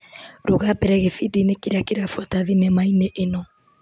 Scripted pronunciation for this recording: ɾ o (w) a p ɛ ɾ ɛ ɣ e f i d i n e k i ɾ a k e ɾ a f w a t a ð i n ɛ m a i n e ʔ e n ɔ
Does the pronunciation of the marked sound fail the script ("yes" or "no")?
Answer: yes